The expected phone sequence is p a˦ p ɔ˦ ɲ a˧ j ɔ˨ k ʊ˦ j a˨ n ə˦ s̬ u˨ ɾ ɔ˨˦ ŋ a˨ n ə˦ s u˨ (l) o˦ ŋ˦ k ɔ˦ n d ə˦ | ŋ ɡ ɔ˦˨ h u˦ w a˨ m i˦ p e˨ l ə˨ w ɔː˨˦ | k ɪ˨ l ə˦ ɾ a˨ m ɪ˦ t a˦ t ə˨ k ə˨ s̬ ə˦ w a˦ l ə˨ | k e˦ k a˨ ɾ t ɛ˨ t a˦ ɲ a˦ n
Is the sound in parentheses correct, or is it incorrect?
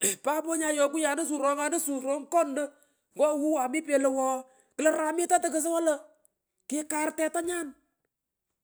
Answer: incorrect